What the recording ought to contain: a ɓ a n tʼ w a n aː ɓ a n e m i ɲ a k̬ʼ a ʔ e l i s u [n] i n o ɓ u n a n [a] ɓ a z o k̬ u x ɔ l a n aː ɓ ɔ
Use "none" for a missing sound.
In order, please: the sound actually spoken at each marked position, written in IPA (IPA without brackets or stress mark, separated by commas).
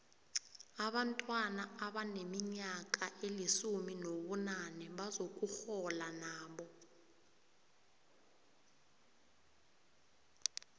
m, ɛ